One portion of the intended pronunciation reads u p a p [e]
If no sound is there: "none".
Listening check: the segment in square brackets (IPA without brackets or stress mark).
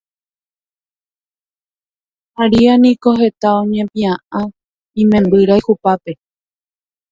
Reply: e